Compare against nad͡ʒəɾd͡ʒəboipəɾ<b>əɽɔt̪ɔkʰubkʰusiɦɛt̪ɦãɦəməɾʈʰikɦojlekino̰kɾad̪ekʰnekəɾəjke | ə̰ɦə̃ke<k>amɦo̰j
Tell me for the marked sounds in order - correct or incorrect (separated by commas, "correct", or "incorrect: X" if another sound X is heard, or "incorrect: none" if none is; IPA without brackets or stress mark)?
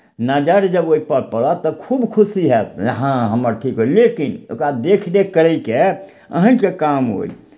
incorrect: p, correct